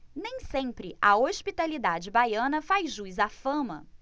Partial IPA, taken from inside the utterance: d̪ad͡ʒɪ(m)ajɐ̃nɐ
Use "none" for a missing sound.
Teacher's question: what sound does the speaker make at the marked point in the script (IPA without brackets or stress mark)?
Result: b